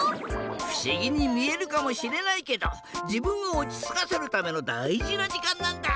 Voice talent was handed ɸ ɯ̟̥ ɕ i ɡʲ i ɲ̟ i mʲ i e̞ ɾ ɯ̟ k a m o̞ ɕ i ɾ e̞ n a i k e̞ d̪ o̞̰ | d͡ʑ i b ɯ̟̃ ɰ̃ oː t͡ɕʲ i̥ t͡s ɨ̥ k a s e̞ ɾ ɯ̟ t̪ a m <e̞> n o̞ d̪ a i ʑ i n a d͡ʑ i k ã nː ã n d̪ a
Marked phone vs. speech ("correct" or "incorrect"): correct